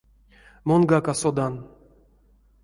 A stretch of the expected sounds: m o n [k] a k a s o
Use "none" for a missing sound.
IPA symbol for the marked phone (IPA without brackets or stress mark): ɡ